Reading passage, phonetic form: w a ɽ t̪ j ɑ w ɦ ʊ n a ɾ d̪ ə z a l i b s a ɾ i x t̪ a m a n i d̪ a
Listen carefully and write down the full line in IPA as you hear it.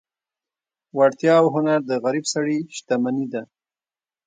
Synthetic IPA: w a ɽ t̪ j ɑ w ɦ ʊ n a ɾ d̪ ə ɣ a ɾ i b s a ɽ i ʃ t̪ a m a n i d̪ a